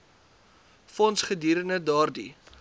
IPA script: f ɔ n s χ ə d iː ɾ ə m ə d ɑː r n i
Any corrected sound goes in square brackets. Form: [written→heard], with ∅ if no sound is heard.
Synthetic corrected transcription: f ɔ n s χ ə d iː ɾ ə [m→n] ə d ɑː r [n→d] i